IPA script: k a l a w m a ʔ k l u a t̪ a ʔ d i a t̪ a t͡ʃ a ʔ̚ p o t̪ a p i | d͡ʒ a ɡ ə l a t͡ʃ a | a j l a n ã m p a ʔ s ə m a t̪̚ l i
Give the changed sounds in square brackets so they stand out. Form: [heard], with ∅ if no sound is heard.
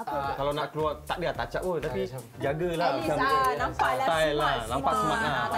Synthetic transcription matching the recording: k a l a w [n] a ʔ k l u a t̪ a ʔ d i a t̪ a t͡ʃ a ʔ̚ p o t̪ a p i | d͡ʒ a ɡ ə l a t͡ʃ a | a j l a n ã m p a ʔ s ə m a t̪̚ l [a]